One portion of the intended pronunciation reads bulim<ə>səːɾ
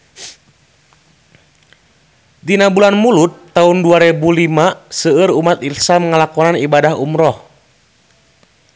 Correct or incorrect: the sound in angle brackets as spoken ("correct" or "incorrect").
incorrect